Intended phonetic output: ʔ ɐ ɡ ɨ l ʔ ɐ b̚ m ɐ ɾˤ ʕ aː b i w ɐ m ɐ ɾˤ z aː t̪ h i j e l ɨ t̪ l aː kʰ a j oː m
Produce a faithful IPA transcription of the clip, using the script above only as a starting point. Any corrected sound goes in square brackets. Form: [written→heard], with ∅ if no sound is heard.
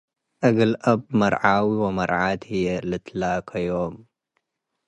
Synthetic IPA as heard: ʔ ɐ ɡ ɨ l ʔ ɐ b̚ m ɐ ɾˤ ʕ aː [b→w] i w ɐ m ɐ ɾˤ [z→ʕ] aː t̪ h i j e l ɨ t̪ l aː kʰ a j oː m